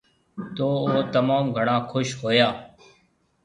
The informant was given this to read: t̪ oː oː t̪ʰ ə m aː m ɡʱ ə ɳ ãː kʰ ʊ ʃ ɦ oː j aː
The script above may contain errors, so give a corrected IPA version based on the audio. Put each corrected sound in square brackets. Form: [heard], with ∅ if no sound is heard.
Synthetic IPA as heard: t̪ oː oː [t̪] ə m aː m ɡʱ ə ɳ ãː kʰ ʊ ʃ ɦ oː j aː